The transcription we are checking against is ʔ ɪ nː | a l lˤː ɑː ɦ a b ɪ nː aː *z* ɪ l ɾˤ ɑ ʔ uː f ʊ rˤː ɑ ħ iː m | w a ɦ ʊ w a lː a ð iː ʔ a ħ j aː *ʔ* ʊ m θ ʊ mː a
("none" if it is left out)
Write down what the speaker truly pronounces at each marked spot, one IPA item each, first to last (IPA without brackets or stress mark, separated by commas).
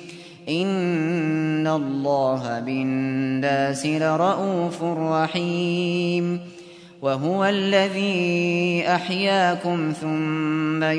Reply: s, k